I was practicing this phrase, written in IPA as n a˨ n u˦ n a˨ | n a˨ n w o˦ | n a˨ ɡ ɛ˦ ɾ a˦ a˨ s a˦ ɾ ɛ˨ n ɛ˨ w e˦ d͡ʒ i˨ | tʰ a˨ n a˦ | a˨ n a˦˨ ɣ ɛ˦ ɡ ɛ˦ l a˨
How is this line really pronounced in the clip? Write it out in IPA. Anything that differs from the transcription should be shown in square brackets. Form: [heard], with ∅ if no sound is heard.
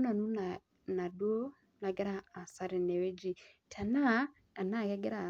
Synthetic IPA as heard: n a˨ n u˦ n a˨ | n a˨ [d] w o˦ | n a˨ ɡ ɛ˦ ɾ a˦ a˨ s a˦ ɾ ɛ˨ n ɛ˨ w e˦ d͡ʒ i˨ | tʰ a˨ n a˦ | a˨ n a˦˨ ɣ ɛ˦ ɡ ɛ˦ [ɾ] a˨